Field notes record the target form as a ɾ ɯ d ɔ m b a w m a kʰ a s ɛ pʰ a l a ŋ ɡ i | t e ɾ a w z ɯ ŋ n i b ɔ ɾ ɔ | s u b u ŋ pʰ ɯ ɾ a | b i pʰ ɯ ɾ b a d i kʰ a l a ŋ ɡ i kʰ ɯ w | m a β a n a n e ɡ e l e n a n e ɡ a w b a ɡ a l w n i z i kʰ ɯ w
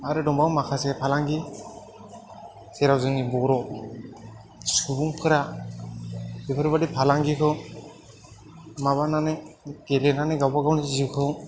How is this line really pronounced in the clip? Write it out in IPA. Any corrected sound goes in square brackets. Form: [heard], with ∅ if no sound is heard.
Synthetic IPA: a ɾ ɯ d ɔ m b a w m a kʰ a s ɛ pʰ a l a ŋ ɡ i | [s] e ɾ a w z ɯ ŋ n i b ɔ ɾ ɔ | s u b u ŋ pʰ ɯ ɾ a | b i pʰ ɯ ɾ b a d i [pʰ] a l a ŋ ɡ i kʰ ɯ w | m a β a n a n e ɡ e l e n a n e ɡ a w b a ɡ a [∅] w n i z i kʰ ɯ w